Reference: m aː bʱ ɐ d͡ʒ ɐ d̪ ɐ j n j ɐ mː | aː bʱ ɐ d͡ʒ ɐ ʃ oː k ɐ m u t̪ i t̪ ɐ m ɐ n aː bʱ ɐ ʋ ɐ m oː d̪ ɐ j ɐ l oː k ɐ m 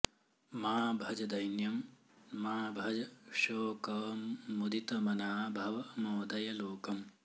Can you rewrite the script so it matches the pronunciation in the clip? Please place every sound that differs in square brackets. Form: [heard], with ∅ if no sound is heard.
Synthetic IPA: m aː bʱ ɐ d͡ʒ ɐ d̪ ɐ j n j ɐ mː | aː bʱ ɐ d͡ʒ ɐ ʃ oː k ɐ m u [d̪] i t̪ ɐ m ɐ n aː bʱ ɐ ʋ ɐ m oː d̪ ɐ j ɐ l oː k ɐ m

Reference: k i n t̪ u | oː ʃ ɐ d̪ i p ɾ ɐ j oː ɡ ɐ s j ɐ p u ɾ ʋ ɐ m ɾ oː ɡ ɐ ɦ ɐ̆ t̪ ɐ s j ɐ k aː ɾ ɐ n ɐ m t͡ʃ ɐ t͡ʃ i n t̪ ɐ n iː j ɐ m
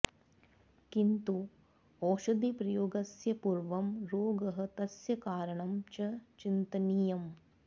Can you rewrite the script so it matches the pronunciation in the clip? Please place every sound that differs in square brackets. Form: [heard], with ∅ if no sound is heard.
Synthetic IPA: k i n t̪ u | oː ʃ ɐ d̪ i p ɾ ɐ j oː ɡ ɐ s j ɐ p u ɾ ʋ ɐ m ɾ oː ɡ ɐ ɦ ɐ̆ t̪ ɐ s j ɐ k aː ɾ ɐ [ɳ] ɐ m t͡ʃ ɐ t͡ʃ i n t̪ ɐ n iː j ɐ m

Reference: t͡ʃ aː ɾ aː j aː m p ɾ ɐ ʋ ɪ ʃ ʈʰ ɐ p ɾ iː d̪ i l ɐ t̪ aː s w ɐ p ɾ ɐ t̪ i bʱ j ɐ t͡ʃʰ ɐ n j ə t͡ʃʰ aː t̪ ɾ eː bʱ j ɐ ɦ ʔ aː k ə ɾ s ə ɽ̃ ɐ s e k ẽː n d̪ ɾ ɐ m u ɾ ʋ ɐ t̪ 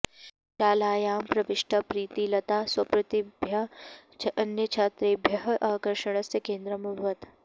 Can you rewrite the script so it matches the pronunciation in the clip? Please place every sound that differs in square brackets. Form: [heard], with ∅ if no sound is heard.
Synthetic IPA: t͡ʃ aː [l] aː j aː m p ɾ ɐ ʋ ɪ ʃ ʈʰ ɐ p ɾ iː [t̪] i l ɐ t̪ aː s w ɐ p ɾ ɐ t̪ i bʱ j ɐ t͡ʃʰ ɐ n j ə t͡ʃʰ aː t̪ ɾ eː bʱ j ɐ ɦ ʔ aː k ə ɾ [ʃ] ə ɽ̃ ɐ s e k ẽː n d̪ ɾ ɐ m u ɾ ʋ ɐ t̪

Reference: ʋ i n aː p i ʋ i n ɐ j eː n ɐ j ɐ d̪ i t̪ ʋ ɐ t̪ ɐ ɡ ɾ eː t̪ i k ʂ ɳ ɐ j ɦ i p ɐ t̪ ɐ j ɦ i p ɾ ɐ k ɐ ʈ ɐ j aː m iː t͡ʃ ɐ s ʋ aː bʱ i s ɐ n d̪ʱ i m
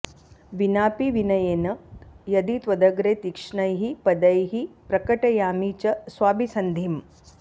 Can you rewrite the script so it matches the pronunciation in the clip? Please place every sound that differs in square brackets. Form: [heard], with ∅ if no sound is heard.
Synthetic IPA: ʋ i n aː p i ʋ i n ɐ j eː n ɐ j ɐ d̪ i t̪ ʋ ɐ [d̪] ɐ ɡ ɾ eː t̪ i k ʂ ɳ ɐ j ɦ i p ɐ [d̪] ɐ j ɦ i p ɾ ɐ k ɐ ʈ ɐ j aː m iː t͡ʃ ɐ s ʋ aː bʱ i s ɐ n d̪ʱ i m

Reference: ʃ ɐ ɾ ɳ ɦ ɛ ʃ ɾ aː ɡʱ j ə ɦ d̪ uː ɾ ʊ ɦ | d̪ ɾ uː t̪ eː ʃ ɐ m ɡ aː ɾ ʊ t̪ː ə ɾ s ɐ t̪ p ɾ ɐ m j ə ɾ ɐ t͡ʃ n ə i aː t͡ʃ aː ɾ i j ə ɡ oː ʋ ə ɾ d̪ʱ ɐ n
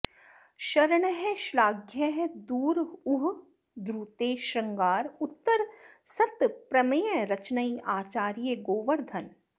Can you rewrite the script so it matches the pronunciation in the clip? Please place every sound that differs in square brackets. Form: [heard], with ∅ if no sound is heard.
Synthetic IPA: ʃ ɐ ɾ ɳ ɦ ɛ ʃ [l] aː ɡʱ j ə ɦ d̪ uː ɾ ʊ ɦ | d̪ ɾ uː t̪ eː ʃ ɐ [ŋ] ɡ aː ɾ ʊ t̪ː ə ɾ s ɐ t̪ p ɾ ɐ m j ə ɾ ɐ t͡ʃ n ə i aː t͡ʃ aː ɾ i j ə ɡ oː ʋ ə ɾ d̪ʱ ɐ n

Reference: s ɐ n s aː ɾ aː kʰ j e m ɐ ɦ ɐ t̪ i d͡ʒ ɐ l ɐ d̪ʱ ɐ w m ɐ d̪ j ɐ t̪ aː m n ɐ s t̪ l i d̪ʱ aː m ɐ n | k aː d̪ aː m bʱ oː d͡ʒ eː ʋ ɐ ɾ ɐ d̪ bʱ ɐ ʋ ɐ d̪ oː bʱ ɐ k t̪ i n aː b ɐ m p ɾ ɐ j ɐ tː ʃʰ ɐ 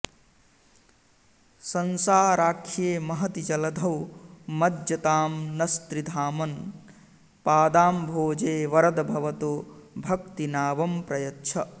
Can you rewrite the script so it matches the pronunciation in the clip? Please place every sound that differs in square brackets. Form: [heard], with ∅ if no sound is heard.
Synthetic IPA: s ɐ n s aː ɾ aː kʰ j e m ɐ ɦ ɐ t̪ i d͡ʒ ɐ l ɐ d̪ʱ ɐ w m ɐ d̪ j ɐ t̪ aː m n ɐ s t̪ [ɾ] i d̪ʱ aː m ɐ n | [p] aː d̪ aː m bʱ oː d͡ʒ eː ʋ ɐ ɾ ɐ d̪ bʱ ɐ ʋ ɐ [t̪] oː bʱ ɐ k t̪ i n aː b ɐ m p ɾ ɐ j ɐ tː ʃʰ ɐ

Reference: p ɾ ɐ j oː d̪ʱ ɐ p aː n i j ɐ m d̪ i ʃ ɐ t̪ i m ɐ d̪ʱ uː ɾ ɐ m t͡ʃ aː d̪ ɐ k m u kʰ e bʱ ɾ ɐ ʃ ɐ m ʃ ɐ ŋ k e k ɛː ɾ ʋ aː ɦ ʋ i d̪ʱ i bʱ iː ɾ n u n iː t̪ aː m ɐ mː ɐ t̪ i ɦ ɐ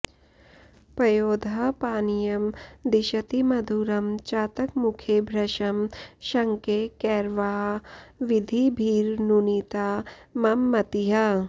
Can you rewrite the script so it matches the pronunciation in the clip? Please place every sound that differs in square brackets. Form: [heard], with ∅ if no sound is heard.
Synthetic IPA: p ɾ ɐ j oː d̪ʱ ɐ p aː n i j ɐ m d̪ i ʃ ɐ t̪ i m ɐ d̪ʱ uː ɾ ɐ m t͡ʃ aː [t̪] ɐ k m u kʰ e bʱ ɾ ɐ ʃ ɐ m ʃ ɐ ŋ k e k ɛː ɾ ʋ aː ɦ ʋ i d̪ʱ i bʱ iː ɾ n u n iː t̪ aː m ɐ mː ɐ t̪ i ɦ ɐ

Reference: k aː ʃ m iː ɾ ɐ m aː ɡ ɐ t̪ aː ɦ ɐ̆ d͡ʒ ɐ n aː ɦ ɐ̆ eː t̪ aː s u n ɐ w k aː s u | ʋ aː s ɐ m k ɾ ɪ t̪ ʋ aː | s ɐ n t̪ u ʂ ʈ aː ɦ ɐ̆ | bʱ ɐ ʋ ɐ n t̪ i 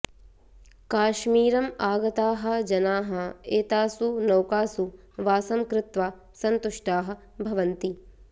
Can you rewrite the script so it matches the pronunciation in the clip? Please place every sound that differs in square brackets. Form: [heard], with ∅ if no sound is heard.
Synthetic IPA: k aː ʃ m iː ɾ ɐ m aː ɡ ɐ t̪ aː ɦ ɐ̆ d͡ʒ ɐ n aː ɦ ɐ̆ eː t̪ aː s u n ɐ w k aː s u | ʋ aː s ɐ m k ɾ ɪ t̪ ʋ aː | s ɐ n t̪ u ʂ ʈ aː ɦ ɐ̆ | bʱ ɐ ʋ ɐ n t̪ i

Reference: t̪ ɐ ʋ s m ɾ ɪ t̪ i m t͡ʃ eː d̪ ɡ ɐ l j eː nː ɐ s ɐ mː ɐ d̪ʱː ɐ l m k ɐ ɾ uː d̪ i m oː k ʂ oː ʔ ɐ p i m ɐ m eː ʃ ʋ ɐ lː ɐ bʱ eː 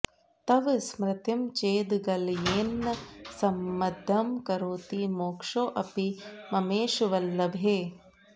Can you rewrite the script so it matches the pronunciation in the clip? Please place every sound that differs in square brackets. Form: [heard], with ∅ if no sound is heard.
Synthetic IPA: t̪ ɐ ʋ s m ɾ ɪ t̪ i m t͡ʃ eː d̪ ɡ ɐ l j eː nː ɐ s ɐ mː ɐ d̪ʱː ɐ [∅] m k ɐ ɾ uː [t̪] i m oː k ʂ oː ʔ ɐ p i m ɐ m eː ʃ ʋ ɐ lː ɐ bʱ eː

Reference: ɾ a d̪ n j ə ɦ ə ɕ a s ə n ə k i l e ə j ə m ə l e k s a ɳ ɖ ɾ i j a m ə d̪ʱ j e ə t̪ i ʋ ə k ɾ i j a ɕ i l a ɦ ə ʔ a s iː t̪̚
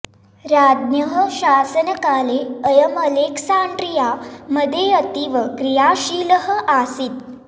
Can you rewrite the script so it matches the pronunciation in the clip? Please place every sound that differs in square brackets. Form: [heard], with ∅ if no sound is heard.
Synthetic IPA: ɾ a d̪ n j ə ɦ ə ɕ a s ə n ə k [a] l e ə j ə m ə l e k s a ɳ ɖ ɾ i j a m ə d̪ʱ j e ə t̪ i ʋ ə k ɾ i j a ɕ i l [ə] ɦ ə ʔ a s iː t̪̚

